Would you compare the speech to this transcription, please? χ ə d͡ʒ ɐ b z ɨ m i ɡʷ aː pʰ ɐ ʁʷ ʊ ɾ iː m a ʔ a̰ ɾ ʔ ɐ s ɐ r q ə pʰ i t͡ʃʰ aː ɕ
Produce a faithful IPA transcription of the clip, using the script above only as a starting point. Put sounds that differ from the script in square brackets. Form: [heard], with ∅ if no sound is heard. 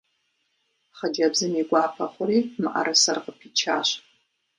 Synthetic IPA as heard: χ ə d͡ʒ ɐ b z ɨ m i ɡʷ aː pʰ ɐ [χʷ] ʊ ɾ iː m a ʔ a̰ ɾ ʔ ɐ s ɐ r q ə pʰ i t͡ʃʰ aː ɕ

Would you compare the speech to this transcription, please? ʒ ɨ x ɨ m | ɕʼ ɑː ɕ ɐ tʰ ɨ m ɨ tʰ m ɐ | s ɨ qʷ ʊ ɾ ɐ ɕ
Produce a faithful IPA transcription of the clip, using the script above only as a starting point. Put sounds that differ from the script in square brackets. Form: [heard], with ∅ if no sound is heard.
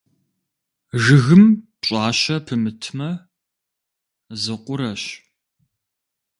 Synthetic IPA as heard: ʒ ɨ [ɣ] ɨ m | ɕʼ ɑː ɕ ɐ [pʰ] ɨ m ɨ tʰ m ɐ | [z] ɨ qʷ ʊ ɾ ɐ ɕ

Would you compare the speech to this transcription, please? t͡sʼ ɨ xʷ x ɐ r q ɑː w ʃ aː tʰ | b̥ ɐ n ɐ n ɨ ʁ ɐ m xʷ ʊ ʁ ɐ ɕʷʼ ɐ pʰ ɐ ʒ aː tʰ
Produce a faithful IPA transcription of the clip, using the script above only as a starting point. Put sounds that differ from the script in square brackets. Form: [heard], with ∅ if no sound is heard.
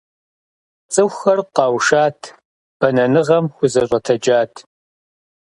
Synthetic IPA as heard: t͡sʼ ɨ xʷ x ɐ r q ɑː w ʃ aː tʰ | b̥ ɐ n ɐ n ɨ ʁ ɐ m xʷ ʊ [z] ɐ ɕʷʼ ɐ [tʰ] ɐ [d͡ʒ] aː tʰ

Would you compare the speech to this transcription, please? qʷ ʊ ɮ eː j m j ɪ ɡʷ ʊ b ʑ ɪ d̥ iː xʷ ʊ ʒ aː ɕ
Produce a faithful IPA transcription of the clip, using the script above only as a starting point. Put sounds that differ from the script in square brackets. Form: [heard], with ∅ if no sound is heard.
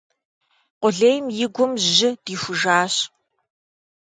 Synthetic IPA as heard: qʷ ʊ ɮ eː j m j ɪ ɡʷ ʊ [m] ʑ ɪ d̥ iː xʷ ʊ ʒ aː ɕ

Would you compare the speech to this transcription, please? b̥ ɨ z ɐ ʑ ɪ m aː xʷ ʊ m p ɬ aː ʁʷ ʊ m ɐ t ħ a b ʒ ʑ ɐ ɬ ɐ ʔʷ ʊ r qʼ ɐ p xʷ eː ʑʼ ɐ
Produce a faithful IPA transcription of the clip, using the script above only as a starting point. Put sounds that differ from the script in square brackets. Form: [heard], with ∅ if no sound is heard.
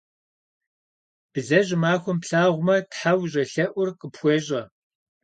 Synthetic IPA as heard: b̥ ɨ z ɐ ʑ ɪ m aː xʷ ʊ m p ɬ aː ʁʷ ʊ m ɐ t ħ a [w] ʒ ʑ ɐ ɬ ɐ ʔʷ ʊ r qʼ [ə] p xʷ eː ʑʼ ɐ

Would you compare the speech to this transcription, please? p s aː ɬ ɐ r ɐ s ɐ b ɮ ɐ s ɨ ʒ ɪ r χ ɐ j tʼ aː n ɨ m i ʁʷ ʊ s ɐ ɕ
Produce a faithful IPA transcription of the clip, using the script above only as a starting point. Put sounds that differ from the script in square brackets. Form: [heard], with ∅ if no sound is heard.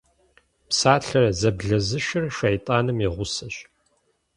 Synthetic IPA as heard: p s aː ɬ ɐ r ɐ [z] ɐ b ɮ ɐ [z] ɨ [ʃ] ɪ r [ʃ] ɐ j tʼ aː n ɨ m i ʁʷ ʊ s ɐ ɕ

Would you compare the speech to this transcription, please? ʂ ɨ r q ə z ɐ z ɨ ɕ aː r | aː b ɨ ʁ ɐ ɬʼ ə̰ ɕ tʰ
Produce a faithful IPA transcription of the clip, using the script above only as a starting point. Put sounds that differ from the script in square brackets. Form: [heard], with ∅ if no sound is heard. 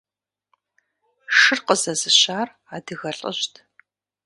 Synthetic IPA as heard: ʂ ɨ r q ə z ɐ z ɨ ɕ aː r | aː [d] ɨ [ɣ] ɐ ɬʼ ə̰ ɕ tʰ

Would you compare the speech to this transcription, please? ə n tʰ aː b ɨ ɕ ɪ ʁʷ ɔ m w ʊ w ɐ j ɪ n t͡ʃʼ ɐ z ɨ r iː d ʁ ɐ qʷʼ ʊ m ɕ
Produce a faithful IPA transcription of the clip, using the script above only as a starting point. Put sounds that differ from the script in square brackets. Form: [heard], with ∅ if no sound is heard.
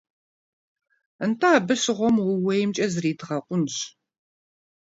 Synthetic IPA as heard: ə n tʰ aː b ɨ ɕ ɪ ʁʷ ɔ m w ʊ w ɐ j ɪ [m] t͡ʃʼ ɐ z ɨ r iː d ʁ ɐ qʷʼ ʊ [n] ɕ

